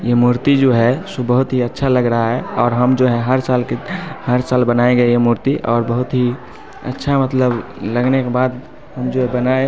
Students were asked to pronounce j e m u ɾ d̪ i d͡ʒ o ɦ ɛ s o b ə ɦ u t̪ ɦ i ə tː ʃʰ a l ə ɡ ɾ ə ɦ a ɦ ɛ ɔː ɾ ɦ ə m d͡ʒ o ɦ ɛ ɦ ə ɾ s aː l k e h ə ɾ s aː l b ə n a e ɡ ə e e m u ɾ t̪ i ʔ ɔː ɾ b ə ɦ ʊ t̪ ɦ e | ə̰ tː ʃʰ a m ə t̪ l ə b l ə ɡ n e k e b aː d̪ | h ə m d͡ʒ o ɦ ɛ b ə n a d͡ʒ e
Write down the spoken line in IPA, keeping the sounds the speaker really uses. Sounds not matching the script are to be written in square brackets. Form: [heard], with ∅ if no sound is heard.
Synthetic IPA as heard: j e m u ɾ [t̪] i d͡ʒ o ɦ ɛ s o b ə ɦ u t̪ ɦ i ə tː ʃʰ a l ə ɡ ɾ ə ɦ a ɦ ɛ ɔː ɾ ɦ ə m d͡ʒ o ɦ ɛ ɦ ə ɾ s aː l k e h ə ɾ s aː l b ə n a e ɡ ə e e m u ɾ t̪ i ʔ ɔː ɾ b ə ɦ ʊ t̪ ɦ [i] | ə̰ tː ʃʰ a m ə t̪ l ə b l ə ɡ n e k e b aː d̪ | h ə m d͡ʒ o ɦ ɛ b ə n a [∅] e

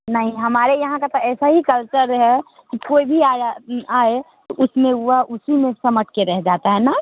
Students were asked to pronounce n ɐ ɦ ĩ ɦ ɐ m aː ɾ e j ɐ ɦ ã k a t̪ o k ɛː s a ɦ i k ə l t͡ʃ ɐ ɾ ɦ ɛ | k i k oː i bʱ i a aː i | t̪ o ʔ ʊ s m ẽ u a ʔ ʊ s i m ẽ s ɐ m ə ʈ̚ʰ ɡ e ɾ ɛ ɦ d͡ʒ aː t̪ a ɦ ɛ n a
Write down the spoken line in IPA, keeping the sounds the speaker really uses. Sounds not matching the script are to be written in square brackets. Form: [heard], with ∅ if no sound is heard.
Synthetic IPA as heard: n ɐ ɦ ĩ ɦ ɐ m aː ɾ e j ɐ ɦ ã k a t̪ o [∅] ɛː s a ɦ i k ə l t͡ʃ [ə] ɾ ɦ ɛ | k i k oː i bʱ i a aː [e] | t̪ o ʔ ʊ s m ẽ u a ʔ ʊ s i m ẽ s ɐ m ə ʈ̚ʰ [k] e ɾ ɛ ɦ d͡ʒ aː t̪ a ɦ ɛ n a

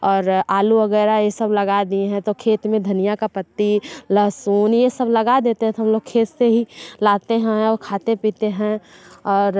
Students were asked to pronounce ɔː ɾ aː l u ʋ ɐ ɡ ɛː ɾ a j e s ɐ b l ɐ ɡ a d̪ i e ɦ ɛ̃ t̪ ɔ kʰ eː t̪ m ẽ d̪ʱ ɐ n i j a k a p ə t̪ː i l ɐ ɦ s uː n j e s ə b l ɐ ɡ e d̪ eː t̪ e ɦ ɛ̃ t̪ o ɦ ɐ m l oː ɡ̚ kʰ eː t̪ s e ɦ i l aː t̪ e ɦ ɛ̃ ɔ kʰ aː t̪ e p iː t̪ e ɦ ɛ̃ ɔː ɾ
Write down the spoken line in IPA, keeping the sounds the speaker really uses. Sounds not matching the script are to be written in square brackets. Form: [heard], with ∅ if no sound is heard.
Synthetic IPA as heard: ɔː ɾ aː l u ʋ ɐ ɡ ɛː ɾ a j e s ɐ b l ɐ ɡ a d̪ i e ɦ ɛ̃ t̪ [o] kʰ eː t̪ m ẽ d̪ʱ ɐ n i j a k a p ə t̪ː i l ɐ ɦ s uː n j e s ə b l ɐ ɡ [a] d̪ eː t̪ e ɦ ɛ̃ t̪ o ɦ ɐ m l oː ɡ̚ kʰ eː t̪ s e ɦ i l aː t̪ e ɦ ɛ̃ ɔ kʰ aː t̪ e p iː t̪ e ɦ ɛ̃ ɔː ɾ

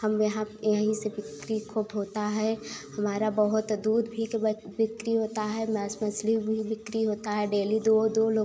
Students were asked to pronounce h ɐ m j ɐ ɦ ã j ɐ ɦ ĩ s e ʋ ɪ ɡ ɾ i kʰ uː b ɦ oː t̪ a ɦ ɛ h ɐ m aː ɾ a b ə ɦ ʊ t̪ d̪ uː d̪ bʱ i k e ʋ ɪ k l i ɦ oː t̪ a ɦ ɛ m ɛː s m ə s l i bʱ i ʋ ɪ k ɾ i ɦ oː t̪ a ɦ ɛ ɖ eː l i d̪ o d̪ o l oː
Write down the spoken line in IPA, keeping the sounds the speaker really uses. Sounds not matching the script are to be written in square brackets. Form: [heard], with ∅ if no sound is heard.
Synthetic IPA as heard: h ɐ m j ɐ ɦ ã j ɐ ɦ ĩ s e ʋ ɪ [k] ɾ i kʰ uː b ɦ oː t̪ a ɦ ɛ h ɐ m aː ɾ a b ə ɦ ʊ t̪ d̪ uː d̪ bʱ i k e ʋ ɪ k [ɾ] i ɦ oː t̪ a ɦ ɛ m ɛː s m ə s l i bʱ i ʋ ɪ k ɾ i ɦ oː t̪ a ɦ ɛ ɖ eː l i d̪ o d̪ o l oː

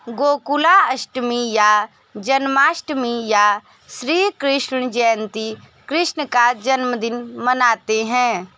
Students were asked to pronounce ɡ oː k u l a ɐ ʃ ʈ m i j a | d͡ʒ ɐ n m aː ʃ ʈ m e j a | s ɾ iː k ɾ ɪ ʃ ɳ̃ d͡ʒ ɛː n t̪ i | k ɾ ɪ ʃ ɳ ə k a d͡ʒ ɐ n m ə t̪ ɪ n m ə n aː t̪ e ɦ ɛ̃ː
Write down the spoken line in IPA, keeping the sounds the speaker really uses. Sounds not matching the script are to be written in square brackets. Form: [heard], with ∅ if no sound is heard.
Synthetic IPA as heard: ɡ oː k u l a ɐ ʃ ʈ m i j a | d͡ʒ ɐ n m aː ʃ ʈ m [i] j a | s ɾ iː k ɾ ɪ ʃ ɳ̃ d͡ʒ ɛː n t̪ i | k ɾ ɪ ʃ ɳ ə k a d͡ʒ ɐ n m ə [d̪] ɪ n m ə n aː t̪ e ɦ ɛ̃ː

